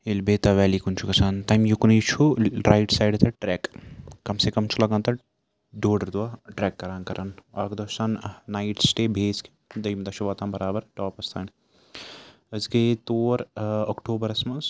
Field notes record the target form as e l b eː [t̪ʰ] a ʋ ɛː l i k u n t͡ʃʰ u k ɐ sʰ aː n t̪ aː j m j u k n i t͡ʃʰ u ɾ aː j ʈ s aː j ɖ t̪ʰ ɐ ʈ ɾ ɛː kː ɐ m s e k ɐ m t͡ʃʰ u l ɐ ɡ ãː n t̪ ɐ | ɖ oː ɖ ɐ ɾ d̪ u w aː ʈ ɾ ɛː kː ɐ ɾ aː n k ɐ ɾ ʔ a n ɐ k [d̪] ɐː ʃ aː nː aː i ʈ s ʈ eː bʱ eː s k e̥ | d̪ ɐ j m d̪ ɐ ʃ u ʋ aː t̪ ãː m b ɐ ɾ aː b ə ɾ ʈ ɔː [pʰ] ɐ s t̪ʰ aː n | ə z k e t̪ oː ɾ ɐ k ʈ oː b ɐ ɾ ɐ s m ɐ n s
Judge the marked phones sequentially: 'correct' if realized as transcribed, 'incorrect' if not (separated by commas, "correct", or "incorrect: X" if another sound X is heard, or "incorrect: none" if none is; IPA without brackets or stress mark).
incorrect: t̪, correct, incorrect: p